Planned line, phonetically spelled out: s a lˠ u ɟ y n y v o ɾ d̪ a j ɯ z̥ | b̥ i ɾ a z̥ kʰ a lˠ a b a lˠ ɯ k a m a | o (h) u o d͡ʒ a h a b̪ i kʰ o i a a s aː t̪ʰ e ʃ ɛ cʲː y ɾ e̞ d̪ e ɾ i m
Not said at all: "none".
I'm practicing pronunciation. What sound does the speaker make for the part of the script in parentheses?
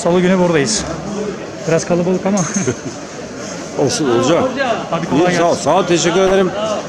s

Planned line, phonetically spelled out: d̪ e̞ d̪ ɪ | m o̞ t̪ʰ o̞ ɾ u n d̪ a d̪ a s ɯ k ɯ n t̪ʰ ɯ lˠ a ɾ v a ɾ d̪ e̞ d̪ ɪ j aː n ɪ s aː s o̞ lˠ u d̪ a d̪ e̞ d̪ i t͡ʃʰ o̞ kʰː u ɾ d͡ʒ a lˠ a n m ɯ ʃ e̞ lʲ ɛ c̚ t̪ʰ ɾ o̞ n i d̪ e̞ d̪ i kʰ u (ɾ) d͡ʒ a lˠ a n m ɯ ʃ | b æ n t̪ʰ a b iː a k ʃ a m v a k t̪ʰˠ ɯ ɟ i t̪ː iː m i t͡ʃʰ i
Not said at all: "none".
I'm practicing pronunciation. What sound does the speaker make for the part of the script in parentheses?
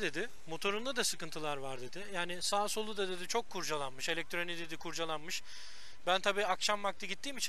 ɾ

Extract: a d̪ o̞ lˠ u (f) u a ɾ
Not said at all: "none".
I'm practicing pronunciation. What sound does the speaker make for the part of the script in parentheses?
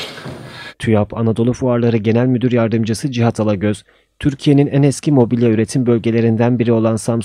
f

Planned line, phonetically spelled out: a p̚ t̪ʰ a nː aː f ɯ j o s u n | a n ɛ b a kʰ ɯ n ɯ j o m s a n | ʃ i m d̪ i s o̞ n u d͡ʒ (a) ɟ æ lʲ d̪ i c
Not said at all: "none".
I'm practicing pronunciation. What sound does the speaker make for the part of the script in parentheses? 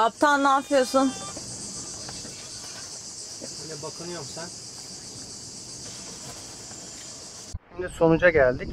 a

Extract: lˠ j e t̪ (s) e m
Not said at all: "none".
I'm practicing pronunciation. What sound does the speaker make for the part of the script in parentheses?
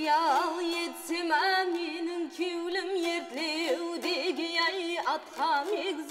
s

